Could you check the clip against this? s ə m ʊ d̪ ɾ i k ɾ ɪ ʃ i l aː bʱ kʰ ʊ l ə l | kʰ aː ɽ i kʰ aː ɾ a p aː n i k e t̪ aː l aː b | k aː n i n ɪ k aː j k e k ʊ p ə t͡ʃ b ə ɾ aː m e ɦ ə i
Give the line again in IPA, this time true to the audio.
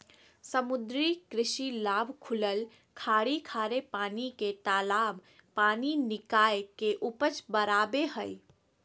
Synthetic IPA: s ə m ʊ d̪ ɾ i k ɾ ɪ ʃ i l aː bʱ kʰ ʊ l ə l | kʰ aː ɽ i kʰ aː ɾ e p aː n i k e t̪ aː l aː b | p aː n i n ɪ k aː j k e ʔ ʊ p ə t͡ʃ b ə ɾ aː b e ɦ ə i